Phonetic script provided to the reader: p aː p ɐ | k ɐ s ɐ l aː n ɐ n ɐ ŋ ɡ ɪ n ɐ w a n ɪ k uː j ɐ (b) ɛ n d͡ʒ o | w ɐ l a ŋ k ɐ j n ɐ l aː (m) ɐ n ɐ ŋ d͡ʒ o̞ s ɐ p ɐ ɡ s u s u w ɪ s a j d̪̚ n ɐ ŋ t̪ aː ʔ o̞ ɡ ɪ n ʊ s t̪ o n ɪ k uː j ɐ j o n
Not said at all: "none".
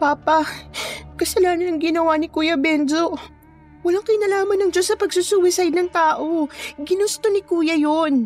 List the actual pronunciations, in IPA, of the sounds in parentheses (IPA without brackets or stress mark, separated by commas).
b, m